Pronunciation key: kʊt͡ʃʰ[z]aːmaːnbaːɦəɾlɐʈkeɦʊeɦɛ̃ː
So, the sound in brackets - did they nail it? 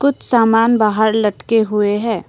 no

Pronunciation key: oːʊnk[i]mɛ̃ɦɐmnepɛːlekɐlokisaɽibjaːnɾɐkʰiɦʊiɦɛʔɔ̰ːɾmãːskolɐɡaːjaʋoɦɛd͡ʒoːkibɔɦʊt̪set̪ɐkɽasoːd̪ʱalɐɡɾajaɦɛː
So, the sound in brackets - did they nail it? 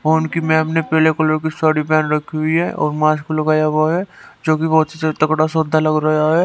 yes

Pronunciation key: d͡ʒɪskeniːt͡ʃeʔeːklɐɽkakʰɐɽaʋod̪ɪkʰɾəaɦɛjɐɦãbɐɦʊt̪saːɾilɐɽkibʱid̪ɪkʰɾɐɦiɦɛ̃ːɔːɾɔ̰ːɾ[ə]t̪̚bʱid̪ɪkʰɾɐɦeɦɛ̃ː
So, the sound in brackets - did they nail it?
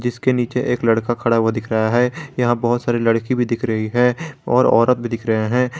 yes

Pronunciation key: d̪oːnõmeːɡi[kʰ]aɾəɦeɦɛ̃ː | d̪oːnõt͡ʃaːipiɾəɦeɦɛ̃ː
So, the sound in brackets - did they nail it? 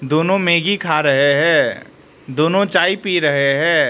yes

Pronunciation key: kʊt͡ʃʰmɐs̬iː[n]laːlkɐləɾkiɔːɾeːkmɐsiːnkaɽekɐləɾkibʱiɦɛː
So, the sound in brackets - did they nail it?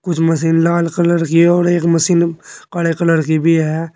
yes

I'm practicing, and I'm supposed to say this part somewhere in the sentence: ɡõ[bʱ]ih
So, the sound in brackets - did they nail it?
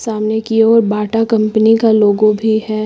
yes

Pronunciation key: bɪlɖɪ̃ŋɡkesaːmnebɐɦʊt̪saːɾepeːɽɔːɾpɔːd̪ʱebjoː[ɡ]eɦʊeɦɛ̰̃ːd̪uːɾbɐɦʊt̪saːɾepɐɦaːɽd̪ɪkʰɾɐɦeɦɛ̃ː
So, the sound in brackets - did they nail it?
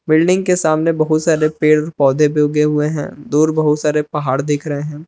yes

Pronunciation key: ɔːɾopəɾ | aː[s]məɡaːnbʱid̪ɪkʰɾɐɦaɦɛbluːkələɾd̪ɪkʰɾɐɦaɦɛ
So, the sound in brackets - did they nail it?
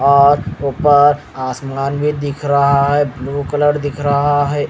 yes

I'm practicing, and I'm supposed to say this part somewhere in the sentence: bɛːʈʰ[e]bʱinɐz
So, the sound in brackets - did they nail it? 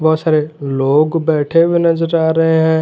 yes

